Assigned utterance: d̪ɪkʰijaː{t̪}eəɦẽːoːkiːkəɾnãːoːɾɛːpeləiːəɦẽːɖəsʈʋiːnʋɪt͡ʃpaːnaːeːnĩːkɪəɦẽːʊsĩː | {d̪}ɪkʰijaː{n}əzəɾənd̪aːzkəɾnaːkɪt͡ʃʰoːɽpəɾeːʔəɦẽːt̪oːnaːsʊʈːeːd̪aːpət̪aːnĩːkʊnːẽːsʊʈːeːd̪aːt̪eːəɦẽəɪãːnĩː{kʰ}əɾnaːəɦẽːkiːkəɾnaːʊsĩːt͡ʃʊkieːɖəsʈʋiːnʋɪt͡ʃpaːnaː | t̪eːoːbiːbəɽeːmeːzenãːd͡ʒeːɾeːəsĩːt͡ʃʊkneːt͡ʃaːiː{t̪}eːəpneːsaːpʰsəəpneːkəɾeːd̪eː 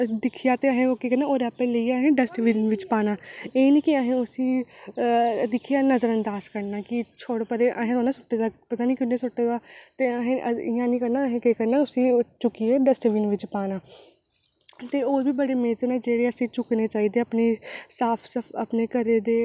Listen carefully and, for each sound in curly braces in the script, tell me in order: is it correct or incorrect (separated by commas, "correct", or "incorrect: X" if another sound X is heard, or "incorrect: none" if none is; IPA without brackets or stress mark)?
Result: correct, correct, correct, incorrect: k, incorrect: d̪